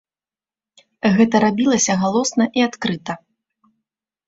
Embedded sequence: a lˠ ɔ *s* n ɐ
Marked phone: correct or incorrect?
correct